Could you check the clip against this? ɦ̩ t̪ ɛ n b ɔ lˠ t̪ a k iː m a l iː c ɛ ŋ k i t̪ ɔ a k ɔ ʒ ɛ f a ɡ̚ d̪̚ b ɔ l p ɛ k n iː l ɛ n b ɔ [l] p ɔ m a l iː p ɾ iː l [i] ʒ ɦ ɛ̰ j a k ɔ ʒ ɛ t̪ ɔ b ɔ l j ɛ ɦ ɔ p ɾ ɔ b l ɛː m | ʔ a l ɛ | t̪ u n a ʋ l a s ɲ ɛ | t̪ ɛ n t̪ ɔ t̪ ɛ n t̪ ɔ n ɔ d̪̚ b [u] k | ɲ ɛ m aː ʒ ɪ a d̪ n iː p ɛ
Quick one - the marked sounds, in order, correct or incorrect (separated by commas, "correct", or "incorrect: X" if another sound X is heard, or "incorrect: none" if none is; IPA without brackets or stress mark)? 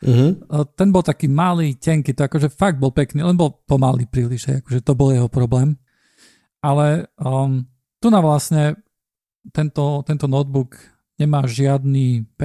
correct, correct, correct